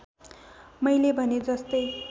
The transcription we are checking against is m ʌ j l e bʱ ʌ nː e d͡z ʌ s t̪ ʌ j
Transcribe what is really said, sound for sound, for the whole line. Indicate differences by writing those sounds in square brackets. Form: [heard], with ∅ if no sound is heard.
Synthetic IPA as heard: m ʌ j l e bʱ ʌ [n] e d͡z ʌ s t̪ ʌ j

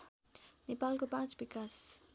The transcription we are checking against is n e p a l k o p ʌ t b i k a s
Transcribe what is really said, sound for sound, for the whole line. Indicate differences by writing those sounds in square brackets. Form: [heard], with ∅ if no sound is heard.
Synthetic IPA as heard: n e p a l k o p [a] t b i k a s

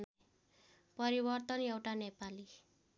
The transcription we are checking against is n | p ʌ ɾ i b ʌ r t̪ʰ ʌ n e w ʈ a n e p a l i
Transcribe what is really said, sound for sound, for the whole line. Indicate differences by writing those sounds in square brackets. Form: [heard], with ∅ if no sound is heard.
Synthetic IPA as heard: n | p ʌ ɾ i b ʌ r [t̪] ʌ n e w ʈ a n e p a l i

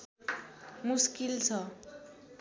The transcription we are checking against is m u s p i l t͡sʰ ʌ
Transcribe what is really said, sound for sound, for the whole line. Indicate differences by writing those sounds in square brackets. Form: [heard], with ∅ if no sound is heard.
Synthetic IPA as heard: m u s [k] i l t͡sʰ ʌ

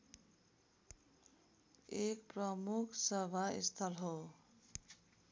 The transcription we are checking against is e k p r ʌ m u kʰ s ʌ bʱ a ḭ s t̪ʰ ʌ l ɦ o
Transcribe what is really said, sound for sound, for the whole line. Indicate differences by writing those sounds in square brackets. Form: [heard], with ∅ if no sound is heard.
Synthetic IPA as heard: e k p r ʌ m u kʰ s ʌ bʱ a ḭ s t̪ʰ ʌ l ɦ o

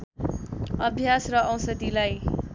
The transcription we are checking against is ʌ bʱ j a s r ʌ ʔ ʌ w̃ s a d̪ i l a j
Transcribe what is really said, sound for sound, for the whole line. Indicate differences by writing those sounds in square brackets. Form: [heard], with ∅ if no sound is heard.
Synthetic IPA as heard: ʌ bʱ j a s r ʌ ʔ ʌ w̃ s [ʌ] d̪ i l a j

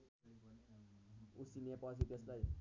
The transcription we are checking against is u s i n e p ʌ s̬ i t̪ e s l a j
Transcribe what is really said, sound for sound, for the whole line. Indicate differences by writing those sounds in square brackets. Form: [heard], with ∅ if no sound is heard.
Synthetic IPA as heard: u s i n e p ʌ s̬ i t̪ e s l a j

